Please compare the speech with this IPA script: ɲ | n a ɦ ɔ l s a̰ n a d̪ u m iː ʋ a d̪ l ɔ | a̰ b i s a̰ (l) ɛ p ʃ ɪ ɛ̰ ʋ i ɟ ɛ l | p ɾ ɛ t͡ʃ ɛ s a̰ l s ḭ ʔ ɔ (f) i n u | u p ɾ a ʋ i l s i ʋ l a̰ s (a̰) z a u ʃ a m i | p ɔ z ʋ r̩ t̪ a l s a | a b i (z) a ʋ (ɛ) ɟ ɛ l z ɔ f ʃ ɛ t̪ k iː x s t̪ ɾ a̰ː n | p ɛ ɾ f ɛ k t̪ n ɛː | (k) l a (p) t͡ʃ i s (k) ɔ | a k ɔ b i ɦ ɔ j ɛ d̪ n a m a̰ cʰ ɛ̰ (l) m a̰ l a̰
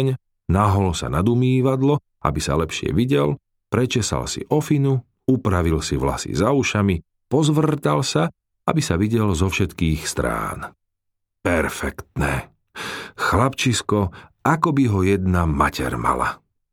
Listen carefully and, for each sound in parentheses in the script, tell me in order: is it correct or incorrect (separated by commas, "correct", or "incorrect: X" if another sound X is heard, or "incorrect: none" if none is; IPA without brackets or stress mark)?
correct, correct, incorrect: ḭ, incorrect: s, incorrect: i, incorrect: x, correct, correct, incorrect: ɾ